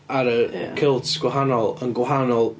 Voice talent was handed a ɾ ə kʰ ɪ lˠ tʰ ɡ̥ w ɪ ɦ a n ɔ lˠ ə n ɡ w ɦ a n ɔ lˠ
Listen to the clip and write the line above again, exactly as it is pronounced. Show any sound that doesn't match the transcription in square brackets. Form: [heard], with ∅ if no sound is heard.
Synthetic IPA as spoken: a ɾ ə kʰ ɪ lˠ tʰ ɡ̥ w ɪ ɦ a n ɔ lˠ ə n ɡ w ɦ a n ɔ lˠ